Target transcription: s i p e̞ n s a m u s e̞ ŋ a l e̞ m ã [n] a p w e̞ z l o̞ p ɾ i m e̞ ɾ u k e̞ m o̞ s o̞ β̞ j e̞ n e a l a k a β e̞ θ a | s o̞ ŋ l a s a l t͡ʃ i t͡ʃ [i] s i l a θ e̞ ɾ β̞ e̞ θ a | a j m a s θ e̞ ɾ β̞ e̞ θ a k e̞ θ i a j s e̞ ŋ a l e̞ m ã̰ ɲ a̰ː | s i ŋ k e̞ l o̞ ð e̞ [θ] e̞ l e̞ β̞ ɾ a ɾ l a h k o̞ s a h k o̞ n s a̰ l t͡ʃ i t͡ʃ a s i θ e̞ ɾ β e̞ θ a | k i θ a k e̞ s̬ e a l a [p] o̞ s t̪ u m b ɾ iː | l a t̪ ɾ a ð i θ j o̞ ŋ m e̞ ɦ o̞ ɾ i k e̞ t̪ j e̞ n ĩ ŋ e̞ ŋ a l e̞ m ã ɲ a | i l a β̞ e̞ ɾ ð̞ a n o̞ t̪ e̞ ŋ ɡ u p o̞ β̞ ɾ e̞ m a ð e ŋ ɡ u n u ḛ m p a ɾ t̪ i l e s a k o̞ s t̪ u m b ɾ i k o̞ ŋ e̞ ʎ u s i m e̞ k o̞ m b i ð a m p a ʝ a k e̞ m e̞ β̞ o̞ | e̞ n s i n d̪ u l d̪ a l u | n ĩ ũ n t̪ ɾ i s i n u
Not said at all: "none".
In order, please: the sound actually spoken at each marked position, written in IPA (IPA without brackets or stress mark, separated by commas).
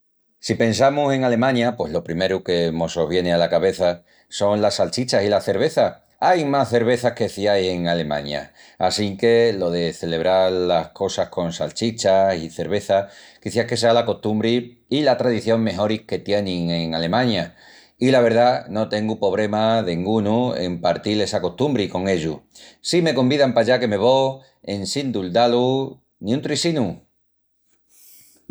ɲ, a, θ, k